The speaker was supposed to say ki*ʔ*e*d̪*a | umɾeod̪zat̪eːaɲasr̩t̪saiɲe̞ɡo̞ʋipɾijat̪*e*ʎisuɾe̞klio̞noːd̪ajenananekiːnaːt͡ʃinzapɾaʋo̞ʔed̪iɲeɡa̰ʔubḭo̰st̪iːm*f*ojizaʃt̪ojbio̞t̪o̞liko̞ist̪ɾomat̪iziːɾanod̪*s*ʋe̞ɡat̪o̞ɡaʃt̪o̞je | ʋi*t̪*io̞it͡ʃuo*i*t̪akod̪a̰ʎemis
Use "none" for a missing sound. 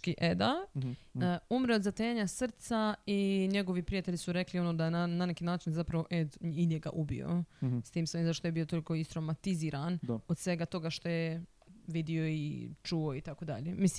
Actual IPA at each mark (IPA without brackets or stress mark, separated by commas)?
ʔ, d̪, e, s, s, d̪, i